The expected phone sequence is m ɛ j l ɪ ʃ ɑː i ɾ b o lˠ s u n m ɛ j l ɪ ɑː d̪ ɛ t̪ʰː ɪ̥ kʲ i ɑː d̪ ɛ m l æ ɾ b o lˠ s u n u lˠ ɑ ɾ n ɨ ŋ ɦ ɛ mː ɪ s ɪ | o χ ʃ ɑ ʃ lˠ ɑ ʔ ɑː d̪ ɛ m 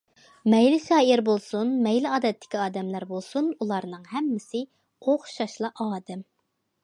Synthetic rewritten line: m ɛ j l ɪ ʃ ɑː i ɾ b o lˠ s u n m ɛ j l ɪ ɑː d̪ ɛ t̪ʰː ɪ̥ kʲ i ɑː d̪ ɛ m l æ ɾ b o lˠ s u n u lˠ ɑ ɾ n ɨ ŋ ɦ ɛ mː ɪ s ɪ | o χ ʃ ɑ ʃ lˠ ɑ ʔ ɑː d̪ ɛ m